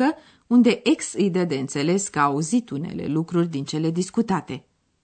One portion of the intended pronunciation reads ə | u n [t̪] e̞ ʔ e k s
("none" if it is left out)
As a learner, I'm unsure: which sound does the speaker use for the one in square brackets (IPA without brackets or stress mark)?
d̪